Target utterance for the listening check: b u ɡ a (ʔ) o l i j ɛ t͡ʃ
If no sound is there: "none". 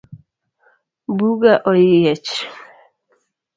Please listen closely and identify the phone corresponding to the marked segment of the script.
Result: ʔ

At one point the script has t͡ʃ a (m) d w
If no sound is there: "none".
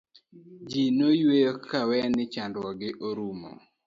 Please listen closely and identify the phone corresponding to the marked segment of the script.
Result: n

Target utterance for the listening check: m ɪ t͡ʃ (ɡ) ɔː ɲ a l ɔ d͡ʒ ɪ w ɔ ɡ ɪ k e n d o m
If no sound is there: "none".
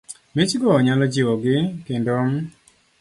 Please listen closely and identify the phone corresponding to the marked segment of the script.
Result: ɡ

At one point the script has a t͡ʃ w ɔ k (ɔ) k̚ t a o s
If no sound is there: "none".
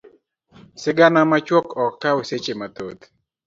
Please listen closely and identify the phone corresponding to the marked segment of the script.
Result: ɔ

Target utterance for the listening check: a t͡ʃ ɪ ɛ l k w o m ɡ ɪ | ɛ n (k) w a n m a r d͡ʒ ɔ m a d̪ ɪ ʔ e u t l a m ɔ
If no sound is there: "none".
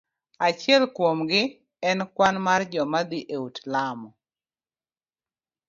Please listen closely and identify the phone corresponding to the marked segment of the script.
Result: k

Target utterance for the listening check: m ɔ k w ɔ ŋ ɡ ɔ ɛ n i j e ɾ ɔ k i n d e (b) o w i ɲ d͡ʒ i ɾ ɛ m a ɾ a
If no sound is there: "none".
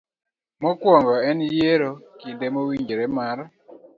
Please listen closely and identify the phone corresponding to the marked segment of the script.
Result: m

